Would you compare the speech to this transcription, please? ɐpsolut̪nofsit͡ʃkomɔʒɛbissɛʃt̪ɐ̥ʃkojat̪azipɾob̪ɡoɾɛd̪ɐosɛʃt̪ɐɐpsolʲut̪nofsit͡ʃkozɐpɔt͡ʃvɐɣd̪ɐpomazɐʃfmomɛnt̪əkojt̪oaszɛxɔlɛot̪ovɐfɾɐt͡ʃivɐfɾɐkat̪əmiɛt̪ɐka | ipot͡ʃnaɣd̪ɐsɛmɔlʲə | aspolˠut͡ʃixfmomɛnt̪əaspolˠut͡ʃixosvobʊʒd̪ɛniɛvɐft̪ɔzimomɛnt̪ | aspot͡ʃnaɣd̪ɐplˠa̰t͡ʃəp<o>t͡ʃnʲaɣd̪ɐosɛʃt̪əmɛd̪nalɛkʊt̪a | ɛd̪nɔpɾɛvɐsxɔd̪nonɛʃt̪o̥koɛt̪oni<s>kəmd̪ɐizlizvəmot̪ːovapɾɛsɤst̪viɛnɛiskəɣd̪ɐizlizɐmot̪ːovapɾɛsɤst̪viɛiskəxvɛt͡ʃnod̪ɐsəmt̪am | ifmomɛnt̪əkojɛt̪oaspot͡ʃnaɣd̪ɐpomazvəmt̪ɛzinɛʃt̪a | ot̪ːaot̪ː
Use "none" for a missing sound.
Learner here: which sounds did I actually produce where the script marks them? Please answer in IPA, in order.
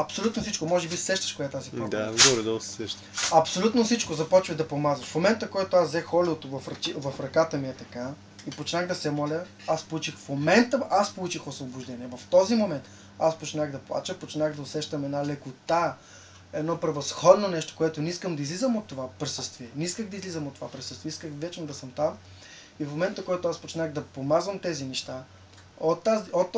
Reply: o, s

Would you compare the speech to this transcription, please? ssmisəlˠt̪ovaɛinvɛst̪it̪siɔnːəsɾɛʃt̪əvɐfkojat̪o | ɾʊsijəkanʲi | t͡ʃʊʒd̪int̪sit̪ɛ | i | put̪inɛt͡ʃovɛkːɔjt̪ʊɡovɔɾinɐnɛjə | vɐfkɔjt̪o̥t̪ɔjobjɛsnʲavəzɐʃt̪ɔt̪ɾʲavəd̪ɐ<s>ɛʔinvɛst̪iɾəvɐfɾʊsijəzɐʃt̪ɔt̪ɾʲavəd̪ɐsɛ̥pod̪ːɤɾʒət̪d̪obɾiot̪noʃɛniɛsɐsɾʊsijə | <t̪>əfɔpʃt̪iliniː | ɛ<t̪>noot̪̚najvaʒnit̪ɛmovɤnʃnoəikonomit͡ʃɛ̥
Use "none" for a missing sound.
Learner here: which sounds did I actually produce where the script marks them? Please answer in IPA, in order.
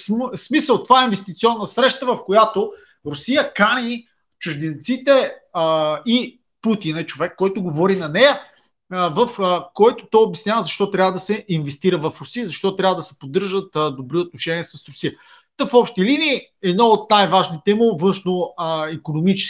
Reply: s, t̪, d̪

